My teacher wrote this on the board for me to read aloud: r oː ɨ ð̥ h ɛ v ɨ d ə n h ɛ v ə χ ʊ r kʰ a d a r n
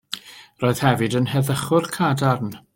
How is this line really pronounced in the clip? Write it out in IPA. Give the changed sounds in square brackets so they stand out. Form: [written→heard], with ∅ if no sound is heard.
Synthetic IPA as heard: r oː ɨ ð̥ h ɛ v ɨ d ə n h ɛ [v→ð] ə χ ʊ r kʰ a d a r n